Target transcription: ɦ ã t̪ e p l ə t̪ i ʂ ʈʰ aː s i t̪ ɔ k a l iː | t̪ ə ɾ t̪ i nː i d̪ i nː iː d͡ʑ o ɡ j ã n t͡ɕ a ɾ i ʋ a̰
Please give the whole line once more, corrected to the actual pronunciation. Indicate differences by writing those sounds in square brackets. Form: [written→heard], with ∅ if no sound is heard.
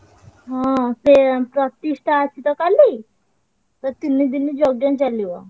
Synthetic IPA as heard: ɦ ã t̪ e p [l→ɾ] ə t̪ i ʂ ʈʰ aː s i t̪ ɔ k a l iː | t̪ ə ɾ t̪ i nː i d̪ i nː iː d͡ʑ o ɡ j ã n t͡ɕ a [ɾ→l] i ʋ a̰

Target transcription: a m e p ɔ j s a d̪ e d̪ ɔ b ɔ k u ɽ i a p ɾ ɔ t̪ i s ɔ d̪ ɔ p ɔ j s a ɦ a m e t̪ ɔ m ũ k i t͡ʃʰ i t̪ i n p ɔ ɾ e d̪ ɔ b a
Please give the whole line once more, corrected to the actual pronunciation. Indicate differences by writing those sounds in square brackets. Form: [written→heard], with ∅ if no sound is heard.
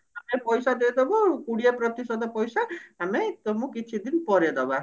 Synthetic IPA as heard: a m e p ɔ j s a d̪ e d̪ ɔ b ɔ k u ɽ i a p ɾ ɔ t̪ i s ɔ d̪ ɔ p ɔ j s a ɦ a m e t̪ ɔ m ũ k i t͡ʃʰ i [t̪→d̪] i n p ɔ ɾ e d̪ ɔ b a

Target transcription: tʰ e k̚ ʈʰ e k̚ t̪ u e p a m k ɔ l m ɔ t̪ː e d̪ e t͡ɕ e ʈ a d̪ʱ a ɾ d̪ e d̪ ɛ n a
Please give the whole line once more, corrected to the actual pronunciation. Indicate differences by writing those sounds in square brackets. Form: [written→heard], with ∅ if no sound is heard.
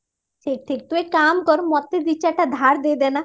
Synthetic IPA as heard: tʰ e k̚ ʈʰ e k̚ t̪ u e [p→k] a m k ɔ [l→ɾ] m ɔ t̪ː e d̪ [e→i] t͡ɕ [e→a] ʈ a d̪ʱ a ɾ d̪ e d̪ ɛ n a

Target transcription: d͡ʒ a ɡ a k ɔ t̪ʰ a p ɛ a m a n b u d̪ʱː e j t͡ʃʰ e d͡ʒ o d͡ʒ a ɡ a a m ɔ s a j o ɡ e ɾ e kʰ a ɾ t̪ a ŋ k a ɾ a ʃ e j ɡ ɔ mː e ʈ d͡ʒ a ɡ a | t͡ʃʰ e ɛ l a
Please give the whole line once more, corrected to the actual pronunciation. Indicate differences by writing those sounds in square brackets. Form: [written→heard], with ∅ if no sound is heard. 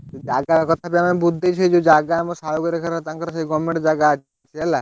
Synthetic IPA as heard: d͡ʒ a ɡ a k ɔ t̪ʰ a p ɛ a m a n b u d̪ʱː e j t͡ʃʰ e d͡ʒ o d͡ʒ a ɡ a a m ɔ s a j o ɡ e ɾ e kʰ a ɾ t̪ a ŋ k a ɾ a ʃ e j ɡ ɔ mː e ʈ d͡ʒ a ɡ a | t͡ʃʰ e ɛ l a

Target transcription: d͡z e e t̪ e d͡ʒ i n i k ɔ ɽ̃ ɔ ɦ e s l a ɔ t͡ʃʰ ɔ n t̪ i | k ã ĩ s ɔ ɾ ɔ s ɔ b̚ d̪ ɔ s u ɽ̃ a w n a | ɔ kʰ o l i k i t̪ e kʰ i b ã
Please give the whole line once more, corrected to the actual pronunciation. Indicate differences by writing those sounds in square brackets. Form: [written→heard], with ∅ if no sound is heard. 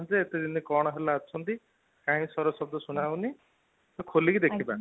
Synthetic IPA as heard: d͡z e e t̪ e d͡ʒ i n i k ɔ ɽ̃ ɔ ɦ e [s→∅] l a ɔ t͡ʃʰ ɔ n t̪ i | k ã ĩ s ɔ ɾ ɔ s ɔ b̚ d̪ ɔ s u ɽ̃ a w n [a→i] | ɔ kʰ o l i k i [t̪→d̪] e kʰ i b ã

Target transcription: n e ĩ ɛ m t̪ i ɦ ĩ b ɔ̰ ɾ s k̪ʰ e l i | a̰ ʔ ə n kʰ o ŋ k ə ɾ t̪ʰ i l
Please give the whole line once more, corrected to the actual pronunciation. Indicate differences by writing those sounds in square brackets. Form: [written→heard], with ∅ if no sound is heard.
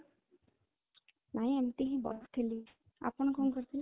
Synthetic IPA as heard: n [e→a] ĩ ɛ m t̪ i ɦ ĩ b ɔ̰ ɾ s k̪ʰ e l i | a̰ [ʔ→p] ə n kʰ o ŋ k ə ɾ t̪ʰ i l

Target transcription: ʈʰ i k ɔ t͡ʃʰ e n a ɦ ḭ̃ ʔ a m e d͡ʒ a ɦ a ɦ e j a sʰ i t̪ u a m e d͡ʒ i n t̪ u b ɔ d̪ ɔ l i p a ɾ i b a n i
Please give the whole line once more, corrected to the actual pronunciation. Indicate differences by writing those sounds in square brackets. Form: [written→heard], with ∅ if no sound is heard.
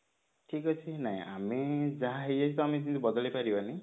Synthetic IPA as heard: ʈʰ i k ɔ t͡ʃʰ [e→i] n a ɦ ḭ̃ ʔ a m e d͡ʒ a ɦ a ɦ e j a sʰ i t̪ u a m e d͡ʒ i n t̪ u b ɔ d̪ ɔ l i p a ɾ i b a n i

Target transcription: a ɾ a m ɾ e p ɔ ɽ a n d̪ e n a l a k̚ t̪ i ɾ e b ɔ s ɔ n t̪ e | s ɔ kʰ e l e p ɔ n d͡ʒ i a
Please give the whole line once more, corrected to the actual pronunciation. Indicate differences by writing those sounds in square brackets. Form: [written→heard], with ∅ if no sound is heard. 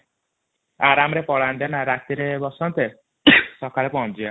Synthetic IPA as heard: a ɾ a m ɾ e p ɔ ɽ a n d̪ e n a [l→ɾ] a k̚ t̪ i ɾ e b ɔ s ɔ n t̪ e | s ɔ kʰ [e→a] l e p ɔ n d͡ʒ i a

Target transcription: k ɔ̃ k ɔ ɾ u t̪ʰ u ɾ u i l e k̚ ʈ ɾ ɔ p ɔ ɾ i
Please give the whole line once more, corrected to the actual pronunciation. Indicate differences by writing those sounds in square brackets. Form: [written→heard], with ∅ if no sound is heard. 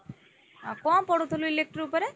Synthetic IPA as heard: k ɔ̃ [k→p] ɔ [ɾ→ɽ] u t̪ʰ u [ɾ→l] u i l e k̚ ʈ ɾ [ɔ→u] p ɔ ɾ [i→e]

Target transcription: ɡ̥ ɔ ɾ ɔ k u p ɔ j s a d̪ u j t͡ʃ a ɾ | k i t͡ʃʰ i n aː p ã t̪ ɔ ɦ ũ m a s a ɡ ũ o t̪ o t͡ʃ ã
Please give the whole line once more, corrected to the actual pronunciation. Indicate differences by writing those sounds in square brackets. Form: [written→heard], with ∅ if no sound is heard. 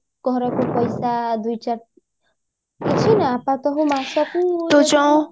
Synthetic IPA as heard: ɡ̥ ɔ ɾ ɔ k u p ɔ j s a d̪ u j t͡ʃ a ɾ | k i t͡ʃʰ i n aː p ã t̪ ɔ ɦ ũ m a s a [ɡ→k] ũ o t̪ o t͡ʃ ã

